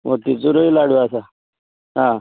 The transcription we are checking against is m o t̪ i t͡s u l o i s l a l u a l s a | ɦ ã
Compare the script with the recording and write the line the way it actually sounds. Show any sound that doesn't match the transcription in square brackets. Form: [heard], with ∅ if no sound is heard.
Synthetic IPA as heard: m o t̪ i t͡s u [ɾ] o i [∅] l a [ɽ] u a [∅] s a | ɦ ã